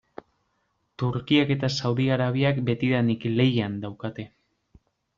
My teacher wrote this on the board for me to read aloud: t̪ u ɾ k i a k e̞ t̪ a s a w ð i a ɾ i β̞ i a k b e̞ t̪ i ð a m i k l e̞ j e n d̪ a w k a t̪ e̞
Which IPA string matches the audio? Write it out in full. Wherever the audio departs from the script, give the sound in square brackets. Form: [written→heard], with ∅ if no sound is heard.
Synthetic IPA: t̪ u ɾ k i a k e̞ t̪ a s a w ð i a ɾ [i→a] β̞ i a k b e̞ t̪ i ð a [m→n] i k l e̞ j [e→a] n d̪ a w k a t̪ e̞